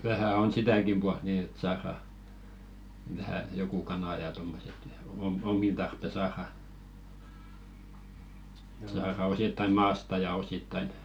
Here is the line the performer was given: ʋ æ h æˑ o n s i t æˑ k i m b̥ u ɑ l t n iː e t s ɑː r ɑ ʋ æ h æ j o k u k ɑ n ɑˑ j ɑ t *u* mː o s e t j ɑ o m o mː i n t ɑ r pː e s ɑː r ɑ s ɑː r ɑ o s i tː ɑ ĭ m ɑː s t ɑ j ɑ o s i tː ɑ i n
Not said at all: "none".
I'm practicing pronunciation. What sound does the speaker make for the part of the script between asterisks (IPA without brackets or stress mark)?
o